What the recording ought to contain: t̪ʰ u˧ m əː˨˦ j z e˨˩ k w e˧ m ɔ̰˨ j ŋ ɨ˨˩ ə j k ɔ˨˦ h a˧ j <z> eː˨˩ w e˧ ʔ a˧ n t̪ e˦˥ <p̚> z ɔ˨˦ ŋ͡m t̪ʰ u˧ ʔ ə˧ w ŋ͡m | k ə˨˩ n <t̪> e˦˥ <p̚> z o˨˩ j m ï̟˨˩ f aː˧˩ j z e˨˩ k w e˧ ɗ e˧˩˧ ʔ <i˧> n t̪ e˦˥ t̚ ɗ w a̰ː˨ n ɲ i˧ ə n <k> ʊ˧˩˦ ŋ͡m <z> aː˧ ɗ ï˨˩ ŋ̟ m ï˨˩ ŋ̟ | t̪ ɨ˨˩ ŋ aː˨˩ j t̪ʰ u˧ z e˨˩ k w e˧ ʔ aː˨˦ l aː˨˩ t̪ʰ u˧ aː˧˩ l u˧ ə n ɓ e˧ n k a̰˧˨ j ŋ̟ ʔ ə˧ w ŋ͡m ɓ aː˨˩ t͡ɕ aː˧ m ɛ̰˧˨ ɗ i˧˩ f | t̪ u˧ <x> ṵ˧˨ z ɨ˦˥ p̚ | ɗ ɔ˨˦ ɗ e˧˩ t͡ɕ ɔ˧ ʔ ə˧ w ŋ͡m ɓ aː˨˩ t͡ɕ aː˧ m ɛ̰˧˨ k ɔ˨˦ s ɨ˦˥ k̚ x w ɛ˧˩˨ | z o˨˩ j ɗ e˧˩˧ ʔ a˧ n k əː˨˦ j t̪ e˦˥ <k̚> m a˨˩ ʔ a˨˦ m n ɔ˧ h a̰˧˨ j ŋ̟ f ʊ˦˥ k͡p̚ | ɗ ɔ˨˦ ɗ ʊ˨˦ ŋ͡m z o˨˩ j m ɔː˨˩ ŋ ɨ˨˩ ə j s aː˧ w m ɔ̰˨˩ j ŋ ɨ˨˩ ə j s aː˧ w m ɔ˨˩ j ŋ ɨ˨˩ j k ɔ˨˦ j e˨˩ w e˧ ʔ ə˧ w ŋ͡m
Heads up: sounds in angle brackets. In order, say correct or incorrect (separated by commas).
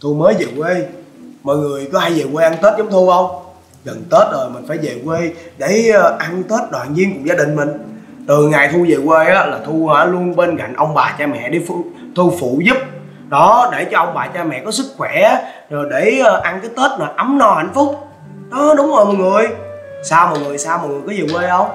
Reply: correct, incorrect, correct, incorrect, incorrect, correct, correct, incorrect, incorrect